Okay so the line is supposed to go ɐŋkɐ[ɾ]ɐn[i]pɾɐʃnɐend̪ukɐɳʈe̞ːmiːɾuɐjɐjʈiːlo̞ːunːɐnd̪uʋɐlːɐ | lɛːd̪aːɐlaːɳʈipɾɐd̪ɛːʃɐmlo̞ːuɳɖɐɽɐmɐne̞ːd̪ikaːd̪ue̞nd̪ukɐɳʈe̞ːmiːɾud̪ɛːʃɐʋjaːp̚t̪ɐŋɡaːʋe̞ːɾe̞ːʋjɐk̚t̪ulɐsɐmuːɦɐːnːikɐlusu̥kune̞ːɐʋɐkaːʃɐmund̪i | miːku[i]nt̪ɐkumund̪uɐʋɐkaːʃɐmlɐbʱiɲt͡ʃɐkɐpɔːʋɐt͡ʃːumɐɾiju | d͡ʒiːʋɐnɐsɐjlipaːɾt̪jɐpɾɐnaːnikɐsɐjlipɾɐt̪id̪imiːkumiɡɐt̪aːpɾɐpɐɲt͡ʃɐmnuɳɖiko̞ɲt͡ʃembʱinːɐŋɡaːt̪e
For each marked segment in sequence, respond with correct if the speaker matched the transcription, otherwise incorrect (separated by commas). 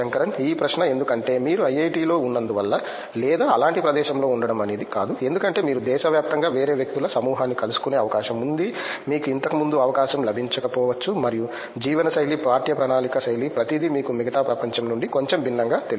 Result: correct, incorrect, correct